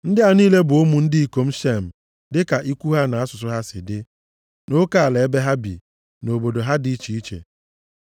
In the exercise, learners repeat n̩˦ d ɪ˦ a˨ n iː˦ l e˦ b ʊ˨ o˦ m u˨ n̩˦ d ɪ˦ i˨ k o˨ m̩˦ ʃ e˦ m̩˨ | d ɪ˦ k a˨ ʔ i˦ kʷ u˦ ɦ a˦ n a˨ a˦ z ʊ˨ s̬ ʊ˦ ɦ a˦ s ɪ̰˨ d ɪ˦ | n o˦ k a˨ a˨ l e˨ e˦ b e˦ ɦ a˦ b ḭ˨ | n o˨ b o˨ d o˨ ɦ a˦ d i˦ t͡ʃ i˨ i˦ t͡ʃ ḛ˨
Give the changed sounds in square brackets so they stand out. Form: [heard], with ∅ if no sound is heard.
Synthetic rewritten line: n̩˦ d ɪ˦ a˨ n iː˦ l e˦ b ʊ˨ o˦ m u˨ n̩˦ d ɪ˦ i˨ k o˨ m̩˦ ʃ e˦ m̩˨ | d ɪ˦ k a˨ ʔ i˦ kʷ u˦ ɦ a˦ n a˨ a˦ [s] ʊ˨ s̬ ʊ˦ ɦ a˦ s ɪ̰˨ d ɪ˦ | n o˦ k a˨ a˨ l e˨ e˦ b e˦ ɦ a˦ b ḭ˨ | n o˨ b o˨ d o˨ ɦ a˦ d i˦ t͡ʃ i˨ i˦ t͡ʃ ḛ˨

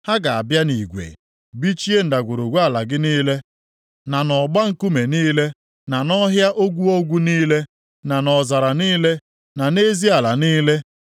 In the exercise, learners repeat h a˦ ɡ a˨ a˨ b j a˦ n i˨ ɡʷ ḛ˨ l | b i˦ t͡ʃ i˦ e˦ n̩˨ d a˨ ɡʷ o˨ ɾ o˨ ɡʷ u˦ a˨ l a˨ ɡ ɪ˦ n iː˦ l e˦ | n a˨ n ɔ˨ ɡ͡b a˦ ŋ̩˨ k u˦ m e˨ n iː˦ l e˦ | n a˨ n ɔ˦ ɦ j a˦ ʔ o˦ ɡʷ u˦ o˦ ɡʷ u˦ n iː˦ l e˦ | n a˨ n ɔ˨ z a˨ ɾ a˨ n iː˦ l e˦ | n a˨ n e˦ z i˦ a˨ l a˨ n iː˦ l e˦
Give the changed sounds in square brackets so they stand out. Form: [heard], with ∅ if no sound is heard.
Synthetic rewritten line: h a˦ ɡ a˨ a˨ b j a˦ n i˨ ɡʷ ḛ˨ [∅] | b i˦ t͡ʃ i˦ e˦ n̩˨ d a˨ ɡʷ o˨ ɾ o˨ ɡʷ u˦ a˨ l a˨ ɡ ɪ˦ n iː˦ l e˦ | n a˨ n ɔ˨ ɡ͡b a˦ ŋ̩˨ k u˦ m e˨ n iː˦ l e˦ | n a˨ n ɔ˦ ɦ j a˦ ʔ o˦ ɡʷ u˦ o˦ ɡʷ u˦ n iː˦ l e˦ | n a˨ n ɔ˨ z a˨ ɾ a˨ n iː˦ l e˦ | n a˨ n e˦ z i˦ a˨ l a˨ n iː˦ l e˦

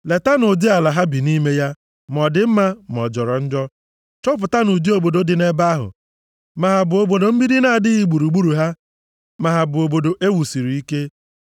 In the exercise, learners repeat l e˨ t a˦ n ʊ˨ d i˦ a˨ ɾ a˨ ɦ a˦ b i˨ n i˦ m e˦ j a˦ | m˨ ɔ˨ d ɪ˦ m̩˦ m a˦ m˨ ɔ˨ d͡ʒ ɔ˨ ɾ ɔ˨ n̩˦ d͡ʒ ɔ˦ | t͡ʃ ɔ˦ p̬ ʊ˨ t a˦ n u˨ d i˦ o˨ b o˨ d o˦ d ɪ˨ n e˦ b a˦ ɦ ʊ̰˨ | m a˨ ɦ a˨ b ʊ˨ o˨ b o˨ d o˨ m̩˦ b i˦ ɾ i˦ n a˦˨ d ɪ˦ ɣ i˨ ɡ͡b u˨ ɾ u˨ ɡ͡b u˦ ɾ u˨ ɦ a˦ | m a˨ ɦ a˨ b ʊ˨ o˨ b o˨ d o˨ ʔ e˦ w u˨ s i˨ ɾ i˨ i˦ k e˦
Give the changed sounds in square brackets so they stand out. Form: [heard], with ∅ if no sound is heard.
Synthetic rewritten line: l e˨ t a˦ n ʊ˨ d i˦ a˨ [l] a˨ ɦ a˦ b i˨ n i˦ m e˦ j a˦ | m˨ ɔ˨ d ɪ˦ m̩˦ m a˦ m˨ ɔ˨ d͡ʒ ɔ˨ ɾ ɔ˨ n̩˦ d͡ʒ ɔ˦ | t͡ʃ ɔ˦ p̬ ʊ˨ t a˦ n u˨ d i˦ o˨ b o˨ d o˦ d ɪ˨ n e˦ b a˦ ɦ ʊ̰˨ | m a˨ ɦ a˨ b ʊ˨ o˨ b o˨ d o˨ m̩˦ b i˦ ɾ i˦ n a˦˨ d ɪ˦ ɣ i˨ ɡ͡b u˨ ɾ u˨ ɡ͡b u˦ ɾ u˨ ɦ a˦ | m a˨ ɦ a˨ b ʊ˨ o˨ b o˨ d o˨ ʔ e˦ w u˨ s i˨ ɾ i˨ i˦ k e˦

